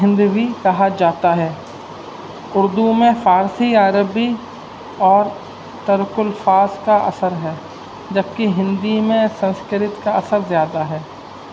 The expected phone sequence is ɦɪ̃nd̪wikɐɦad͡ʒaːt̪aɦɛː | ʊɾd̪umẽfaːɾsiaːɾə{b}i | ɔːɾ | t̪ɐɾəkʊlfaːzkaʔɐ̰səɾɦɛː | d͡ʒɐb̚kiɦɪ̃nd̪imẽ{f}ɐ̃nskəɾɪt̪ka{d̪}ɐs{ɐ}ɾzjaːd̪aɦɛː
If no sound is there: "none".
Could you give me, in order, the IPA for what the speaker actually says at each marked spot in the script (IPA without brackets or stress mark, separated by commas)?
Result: b, s, none, ə